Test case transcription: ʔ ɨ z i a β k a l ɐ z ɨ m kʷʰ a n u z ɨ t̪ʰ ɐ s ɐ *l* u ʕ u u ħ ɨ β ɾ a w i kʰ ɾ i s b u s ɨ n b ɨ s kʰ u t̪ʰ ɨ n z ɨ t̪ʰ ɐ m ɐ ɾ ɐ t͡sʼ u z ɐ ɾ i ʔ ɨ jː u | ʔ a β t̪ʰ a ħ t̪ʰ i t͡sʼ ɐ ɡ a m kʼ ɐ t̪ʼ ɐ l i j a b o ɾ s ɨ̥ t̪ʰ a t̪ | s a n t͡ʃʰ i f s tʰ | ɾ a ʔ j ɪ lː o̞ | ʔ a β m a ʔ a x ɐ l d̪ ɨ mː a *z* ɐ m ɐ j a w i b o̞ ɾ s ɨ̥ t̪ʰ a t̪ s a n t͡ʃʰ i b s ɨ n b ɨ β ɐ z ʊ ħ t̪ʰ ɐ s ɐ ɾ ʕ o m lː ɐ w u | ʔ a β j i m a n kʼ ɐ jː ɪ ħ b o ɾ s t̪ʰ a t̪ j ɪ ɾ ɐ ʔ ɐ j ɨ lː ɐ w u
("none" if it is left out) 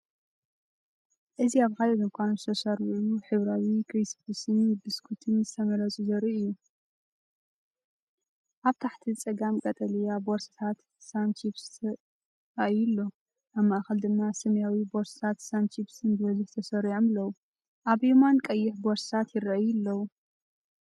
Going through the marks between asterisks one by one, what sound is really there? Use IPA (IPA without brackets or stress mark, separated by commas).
ɾ, s